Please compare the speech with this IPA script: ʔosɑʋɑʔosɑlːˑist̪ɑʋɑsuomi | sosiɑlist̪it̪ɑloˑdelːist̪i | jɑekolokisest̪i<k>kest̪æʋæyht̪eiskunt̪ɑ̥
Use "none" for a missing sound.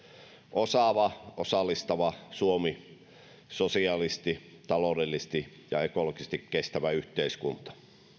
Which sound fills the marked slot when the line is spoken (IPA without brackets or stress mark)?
k